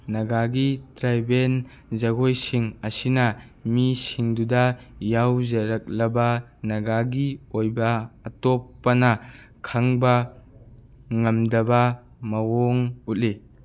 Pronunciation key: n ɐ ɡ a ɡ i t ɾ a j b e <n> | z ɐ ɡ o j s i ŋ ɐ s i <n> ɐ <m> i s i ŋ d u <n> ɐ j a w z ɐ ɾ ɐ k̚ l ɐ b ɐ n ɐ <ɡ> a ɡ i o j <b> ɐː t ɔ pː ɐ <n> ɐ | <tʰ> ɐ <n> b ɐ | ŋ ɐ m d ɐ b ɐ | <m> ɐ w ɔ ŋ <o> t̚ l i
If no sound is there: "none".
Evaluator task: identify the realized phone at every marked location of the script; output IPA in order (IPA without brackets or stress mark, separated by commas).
n, n, m, d, ɡ, b, n, kʰ, ŋ, m, u